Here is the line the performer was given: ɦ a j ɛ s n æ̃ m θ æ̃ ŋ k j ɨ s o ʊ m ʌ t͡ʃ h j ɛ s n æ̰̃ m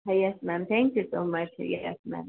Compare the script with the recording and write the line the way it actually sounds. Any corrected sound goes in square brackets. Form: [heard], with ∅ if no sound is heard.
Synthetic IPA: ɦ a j ɛ s [m] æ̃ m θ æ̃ ŋ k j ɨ s o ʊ m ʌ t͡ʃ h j ɛ s [m] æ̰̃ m